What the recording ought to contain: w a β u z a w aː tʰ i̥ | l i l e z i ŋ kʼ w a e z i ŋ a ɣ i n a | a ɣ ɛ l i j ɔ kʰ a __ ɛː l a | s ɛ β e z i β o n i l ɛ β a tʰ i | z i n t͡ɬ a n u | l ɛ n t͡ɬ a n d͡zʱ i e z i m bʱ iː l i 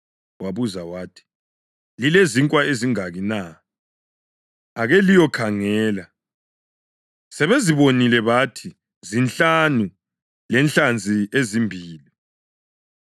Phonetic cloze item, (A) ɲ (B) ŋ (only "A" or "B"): B